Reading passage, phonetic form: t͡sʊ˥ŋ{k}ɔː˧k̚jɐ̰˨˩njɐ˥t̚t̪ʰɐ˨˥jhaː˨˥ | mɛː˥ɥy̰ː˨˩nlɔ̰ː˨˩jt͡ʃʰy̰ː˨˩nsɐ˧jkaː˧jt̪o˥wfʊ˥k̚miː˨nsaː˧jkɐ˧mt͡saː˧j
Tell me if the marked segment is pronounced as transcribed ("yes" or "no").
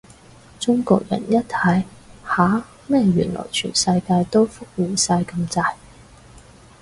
yes